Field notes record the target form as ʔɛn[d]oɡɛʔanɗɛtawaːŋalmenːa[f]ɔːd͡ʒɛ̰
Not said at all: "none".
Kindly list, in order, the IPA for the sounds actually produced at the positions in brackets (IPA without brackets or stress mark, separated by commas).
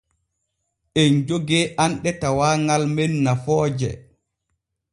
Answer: d͡ʒ, f